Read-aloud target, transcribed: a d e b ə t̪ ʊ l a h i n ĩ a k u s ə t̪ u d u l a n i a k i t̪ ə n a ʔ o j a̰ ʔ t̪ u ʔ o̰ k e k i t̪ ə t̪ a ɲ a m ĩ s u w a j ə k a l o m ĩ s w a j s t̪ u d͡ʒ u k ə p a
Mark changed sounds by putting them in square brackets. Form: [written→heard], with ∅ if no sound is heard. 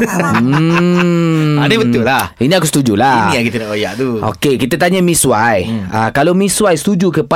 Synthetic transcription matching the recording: a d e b ə t̪ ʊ l a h i n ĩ a k u s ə t̪ u [d→d͡ʒ] u l a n i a k i t̪ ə n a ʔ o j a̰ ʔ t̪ u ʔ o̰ k e k i t̪ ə t̪ a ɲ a m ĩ s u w a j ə k a l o m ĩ s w a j s t̪ u d͡ʒ u k ə p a